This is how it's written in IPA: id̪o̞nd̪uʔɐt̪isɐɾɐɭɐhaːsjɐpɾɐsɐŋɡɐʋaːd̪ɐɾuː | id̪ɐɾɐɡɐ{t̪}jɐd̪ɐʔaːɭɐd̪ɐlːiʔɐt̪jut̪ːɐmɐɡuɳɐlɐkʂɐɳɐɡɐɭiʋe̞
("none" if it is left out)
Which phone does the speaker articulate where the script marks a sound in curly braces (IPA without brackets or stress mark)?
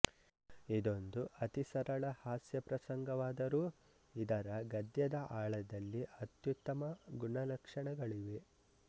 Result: d̪